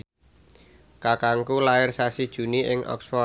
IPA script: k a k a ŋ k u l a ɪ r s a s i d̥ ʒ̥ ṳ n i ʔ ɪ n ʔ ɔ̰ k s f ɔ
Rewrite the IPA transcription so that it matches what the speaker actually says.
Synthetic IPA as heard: k a k a ŋ k u l a ɪ r s a s i d̥ ʒ̥ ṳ n i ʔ ɪ ŋ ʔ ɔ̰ k s f ɔ

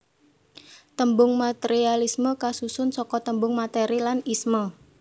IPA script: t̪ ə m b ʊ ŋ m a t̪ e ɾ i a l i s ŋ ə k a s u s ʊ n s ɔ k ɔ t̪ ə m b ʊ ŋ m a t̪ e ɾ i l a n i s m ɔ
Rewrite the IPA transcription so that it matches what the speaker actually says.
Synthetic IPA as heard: t̪ ə m b ʊ ŋ m a t̪ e ɾ i a l i s m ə k a s u s ʊ n s ɔ k ɔ t̪ ə m b ʊ ŋ m a t̪ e ɾ i l a n i s m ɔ

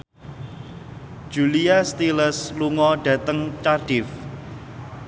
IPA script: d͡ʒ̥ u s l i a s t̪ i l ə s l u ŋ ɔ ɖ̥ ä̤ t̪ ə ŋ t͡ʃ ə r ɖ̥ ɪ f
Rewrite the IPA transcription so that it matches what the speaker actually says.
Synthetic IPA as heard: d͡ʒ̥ u l i a s t̪ i l ə s l u ŋ ɔ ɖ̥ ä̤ t̪ ə ŋ t͡ʃ a r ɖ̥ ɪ f

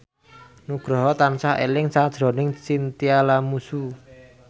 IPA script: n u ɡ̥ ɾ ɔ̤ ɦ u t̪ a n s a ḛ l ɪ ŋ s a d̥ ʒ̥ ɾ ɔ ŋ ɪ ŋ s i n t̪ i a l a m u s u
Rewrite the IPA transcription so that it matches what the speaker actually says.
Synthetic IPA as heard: n u ɡ̥ ɾ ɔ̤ ɦ ɔ t̪ a n s a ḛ l ɪ ŋ s a d̥ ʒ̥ ɾ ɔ n ɪ ŋ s i n t̪ i a l a m u s u

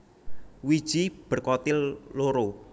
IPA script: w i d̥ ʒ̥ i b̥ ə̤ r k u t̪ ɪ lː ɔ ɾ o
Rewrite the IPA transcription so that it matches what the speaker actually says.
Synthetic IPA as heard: w i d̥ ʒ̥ i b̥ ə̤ r k ɔ t̪ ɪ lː o ɾ o

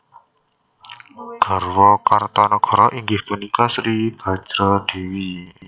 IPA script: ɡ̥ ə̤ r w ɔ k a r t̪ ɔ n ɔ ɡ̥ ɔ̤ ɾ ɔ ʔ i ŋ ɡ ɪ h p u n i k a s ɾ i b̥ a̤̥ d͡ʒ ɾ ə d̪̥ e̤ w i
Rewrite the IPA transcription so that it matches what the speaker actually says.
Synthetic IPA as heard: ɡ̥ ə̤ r w ɔ k a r t̪ ɔ n ɔ ɡ̥ ɔ̤ ɾ ɔ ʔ i ŋ ɡ ɪ h p u n i k a s ɾ i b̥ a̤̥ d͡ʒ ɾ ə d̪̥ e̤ w i

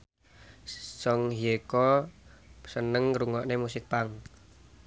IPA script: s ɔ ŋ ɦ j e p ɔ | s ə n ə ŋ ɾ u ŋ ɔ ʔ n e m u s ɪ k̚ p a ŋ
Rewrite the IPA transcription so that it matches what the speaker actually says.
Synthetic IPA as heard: s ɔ ŋ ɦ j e k ɔ | s ə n ə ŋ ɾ u ŋ ɔ ʔ n e m u s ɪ k̚ p a ŋ

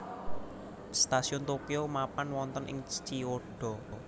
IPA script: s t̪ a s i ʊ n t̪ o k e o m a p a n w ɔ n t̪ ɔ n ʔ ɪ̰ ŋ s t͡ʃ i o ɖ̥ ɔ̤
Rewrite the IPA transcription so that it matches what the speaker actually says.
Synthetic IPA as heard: s t̪ a s i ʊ n t̪ o k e o m a p a n w ɔ n t̪ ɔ n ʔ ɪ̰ ŋ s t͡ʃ i o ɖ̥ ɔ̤

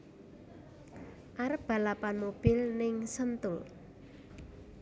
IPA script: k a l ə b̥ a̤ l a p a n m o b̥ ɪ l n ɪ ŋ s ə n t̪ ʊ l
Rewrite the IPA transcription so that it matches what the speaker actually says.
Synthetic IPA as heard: ʔ a ɾ ə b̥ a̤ l a p a n m o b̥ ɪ l n ɪ ŋ s ə n t̪ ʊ l

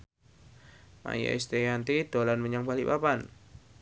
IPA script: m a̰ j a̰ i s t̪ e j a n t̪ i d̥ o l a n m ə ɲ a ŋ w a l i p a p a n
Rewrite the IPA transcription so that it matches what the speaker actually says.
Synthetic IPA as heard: m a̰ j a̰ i s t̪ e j a n t̪ i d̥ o l a n m ə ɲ a ŋ b a l i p a p a n

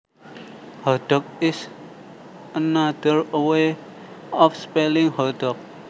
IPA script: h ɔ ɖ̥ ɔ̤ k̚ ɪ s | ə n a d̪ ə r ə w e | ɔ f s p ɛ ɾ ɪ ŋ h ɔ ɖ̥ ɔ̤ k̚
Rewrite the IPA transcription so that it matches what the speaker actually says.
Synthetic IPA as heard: h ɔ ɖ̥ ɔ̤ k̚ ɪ s | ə n a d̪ ə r ə w e | ɔ f s p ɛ l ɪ ŋ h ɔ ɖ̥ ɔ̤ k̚

